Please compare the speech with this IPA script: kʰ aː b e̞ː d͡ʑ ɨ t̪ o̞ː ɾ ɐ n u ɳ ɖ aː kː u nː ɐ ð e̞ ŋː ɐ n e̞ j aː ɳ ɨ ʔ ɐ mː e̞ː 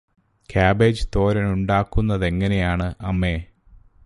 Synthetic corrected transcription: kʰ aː b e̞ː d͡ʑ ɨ t̪ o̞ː ɾ ɐ n u ɳ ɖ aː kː u nː ɐ ð e̞ ŋː ɐ n e̞ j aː ɳ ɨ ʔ ɐ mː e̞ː

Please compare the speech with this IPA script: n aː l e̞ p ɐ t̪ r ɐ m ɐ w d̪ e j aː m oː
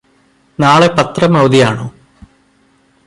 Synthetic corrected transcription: n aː ɭ e̞ p ɐ t̪ r ɐ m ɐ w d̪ i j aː ɳ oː

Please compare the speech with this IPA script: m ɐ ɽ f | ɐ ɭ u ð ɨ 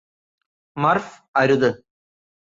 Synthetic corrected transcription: m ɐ r f | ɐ ɾ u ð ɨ

